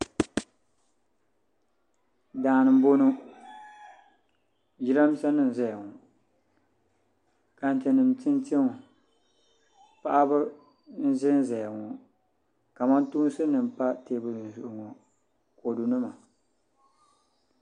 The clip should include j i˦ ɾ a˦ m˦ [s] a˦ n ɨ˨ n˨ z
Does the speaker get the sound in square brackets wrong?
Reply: no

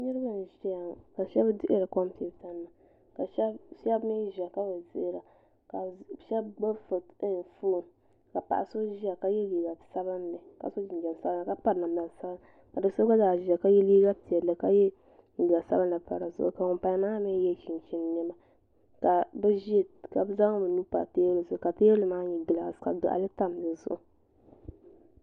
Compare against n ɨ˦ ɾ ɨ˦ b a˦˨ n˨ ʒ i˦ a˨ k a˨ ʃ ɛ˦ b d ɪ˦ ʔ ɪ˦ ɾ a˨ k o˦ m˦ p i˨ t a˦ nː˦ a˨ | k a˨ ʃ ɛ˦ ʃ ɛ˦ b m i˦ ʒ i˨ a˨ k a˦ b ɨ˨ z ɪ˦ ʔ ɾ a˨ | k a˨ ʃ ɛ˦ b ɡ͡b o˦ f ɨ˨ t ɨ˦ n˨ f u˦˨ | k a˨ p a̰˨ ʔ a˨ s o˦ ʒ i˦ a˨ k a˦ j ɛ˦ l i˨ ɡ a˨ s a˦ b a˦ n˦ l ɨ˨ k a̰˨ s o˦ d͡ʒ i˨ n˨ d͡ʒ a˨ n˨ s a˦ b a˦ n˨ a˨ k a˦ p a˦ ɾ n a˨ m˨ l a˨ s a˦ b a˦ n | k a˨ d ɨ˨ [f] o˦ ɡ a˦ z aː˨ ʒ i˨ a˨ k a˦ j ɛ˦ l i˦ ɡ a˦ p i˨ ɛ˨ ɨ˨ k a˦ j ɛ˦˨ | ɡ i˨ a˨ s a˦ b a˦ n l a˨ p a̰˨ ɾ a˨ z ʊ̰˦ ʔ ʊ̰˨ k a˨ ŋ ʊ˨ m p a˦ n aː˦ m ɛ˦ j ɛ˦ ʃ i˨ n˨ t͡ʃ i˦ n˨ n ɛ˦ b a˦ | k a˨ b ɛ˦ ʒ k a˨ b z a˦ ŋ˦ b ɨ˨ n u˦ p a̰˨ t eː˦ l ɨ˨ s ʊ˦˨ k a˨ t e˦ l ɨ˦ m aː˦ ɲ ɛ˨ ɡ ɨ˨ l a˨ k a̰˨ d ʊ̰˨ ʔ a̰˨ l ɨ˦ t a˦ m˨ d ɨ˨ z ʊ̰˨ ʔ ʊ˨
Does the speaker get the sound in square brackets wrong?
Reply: yes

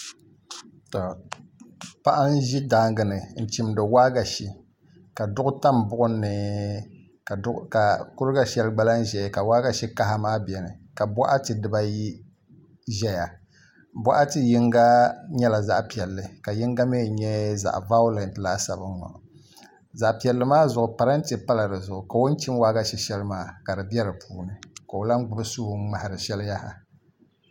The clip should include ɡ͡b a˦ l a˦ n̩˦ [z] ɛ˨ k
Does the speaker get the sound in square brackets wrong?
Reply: yes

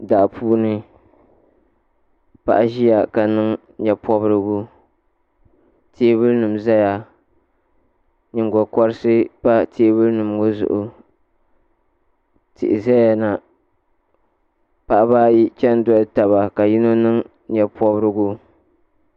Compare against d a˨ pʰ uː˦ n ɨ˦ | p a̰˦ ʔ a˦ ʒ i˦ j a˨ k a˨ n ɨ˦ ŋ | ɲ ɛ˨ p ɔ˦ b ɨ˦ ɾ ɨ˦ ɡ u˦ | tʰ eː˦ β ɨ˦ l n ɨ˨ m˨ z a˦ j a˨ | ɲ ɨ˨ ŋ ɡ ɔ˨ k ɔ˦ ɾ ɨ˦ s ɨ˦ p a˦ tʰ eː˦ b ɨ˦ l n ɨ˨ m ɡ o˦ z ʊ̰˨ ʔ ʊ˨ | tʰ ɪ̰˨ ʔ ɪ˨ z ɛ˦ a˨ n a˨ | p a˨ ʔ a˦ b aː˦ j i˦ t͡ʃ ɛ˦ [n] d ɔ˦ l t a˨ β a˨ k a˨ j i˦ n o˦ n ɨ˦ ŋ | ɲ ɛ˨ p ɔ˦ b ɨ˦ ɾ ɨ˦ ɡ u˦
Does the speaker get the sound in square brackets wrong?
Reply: no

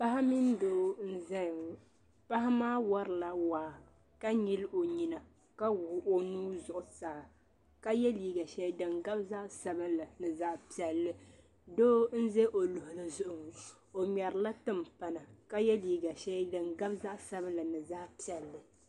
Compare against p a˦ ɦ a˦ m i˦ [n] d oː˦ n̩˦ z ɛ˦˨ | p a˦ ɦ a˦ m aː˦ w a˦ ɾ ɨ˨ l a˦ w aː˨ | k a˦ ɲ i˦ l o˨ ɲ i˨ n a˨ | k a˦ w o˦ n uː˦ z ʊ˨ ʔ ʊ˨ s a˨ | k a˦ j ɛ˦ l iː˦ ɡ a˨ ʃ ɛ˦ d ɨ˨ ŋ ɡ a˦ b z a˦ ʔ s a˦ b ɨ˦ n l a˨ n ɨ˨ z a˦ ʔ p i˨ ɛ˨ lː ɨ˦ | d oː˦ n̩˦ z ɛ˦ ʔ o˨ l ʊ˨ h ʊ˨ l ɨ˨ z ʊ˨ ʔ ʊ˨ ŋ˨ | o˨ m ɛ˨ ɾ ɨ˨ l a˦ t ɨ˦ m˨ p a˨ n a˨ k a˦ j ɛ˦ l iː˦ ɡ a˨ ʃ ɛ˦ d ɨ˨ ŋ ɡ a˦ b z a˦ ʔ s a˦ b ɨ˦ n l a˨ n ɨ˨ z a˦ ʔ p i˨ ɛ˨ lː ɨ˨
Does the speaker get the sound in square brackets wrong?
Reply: no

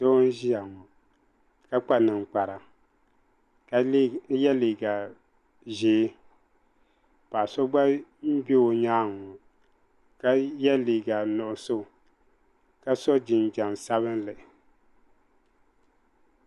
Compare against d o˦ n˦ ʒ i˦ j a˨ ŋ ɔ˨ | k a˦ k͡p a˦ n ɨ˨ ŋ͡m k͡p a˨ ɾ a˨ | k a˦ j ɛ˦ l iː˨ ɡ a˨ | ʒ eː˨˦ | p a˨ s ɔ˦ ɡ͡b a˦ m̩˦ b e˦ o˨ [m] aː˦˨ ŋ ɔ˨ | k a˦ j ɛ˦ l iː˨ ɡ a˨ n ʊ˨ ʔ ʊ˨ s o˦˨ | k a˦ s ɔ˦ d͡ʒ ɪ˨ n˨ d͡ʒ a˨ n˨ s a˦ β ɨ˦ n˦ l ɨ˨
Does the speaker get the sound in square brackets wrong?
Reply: yes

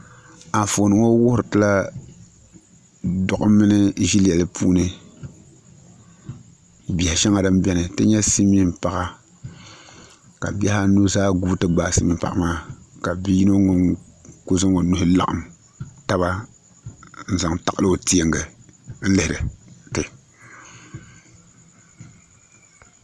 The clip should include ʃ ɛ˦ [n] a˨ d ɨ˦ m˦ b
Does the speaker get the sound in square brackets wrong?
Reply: yes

